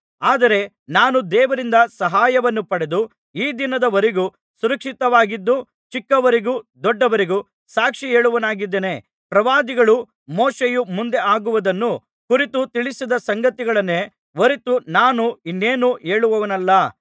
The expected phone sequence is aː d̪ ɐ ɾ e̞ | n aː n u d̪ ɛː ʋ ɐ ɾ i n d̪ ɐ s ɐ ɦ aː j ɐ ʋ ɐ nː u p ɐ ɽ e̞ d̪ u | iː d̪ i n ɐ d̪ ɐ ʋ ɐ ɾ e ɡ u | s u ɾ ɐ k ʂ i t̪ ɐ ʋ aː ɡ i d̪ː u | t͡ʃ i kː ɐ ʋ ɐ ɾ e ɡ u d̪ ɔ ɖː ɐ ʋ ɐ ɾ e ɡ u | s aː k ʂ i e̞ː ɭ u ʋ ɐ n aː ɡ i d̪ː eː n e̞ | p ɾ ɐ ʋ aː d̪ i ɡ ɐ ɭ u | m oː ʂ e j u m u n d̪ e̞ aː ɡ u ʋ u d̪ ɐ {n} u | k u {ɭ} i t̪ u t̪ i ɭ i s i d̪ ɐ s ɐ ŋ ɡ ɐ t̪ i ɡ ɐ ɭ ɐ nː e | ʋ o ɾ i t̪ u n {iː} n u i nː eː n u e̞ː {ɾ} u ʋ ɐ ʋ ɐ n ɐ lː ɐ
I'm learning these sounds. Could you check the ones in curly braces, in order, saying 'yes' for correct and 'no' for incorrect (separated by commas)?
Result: no, no, no, no